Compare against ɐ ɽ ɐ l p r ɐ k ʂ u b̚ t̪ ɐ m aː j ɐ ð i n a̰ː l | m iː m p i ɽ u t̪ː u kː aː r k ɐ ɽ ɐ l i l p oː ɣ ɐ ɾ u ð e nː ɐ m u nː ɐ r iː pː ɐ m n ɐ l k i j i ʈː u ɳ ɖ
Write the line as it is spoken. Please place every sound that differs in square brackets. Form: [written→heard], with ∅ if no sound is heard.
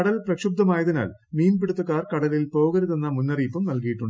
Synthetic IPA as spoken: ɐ ɽ ɐ l p r ɐ k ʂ u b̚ [t̪→d̪] ɐ m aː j ɐ ð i n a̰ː l | m iː m p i ɽ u t̪ː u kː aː r k ɐ ɽ ɐ l i l p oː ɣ ɐ ɾ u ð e nː ɐ m u nː ɐ r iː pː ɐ m n ɐ l k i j i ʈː u ɳ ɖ

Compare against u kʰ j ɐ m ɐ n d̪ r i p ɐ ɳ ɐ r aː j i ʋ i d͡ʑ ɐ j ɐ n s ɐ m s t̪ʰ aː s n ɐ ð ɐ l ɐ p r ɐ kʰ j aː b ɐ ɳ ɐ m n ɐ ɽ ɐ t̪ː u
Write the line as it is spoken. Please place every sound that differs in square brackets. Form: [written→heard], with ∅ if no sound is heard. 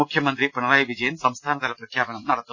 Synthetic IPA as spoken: u kʰ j ɐ m ɐ n d̪ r i p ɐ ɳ ɐ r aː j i ʋ i d͡ʑ ɐ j ɐ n s ɐ m s t̪ʰ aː [s→∅] n ɐ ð ɐ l ɐ p r ɐ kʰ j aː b ɐ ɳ ɐ m n ɐ ɽ ɐ t̪ː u

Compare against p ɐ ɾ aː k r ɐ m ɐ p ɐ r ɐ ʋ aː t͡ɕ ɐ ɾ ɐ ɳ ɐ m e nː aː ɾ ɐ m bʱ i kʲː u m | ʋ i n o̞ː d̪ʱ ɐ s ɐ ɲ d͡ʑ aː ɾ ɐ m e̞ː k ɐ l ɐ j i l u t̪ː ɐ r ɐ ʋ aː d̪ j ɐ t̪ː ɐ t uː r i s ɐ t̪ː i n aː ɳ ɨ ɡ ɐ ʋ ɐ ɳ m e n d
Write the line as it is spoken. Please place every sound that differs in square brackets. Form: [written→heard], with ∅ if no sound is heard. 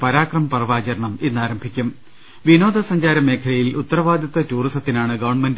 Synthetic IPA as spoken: p ɐ ɾ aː k r ɐ m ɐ p ɐ r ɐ ʋ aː t͡ɕ ɐ ɾ ɐ ɳ ɐ m e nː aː ɾ ɐ m bʱ i kʲː u m | ʋ i n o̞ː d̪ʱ ɐ s ɐ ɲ d͡ʑ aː ɾ ɐ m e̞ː [k→kʰ] ɐ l ɐ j i l u t̪ː ɐ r ɐ ʋ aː d̪ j ɐ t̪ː ɐ t uː r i s ɐ t̪ː i n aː ɳ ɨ ɡ ɐ ʋ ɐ ɳ m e n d

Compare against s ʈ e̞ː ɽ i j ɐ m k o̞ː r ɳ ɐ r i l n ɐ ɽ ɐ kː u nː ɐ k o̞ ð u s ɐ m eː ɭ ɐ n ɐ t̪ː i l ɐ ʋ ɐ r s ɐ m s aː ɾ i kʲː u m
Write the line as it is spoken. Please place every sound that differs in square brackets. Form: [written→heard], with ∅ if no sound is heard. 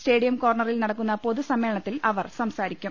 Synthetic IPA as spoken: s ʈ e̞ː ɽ i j ɐ m k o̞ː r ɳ ɐ r i l n ɐ ɽ ɐ kː u nː ɐ [k→p] o̞ ð u s ɐ m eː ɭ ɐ [n→ɳ] ɐ t̪ː i l ɐ ʋ ɐ r s ɐ m s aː ɾ i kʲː u m

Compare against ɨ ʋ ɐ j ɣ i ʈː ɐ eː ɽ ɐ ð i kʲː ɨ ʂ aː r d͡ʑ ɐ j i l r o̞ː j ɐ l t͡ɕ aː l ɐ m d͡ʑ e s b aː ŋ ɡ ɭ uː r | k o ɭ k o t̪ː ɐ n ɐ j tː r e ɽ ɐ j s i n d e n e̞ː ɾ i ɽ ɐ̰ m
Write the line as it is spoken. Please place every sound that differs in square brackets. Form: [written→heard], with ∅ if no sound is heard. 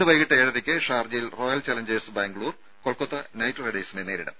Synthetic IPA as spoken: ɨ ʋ ɐ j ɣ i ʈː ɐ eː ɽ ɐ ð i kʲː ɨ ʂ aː r d͡ʑ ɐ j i l r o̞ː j ɐ l t͡ɕ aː l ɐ [m→ɲ] d͡ʑ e s b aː ŋ ɡ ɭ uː r | k o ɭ k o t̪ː ɐ n ɐ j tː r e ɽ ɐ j s i n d e n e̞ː ɾ i ɽ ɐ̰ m

